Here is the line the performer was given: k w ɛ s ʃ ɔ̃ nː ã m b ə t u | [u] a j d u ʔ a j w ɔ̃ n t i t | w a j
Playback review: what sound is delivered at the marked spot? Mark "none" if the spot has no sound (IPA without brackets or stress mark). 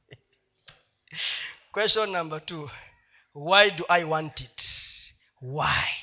w